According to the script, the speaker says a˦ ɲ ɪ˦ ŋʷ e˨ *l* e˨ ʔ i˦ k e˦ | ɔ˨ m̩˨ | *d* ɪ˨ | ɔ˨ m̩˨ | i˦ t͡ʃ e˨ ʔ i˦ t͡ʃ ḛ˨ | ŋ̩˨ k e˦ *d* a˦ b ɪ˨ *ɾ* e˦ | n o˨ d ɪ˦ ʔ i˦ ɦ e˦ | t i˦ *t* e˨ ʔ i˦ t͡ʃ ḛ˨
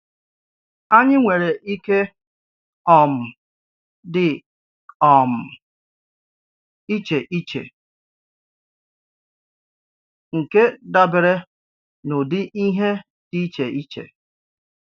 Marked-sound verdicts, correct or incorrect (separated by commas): incorrect, correct, correct, correct, incorrect